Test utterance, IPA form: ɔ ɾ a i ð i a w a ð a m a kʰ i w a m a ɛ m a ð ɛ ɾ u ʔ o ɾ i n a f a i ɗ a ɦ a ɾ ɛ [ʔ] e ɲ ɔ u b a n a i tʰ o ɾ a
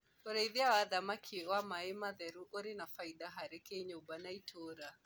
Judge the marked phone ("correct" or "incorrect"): incorrect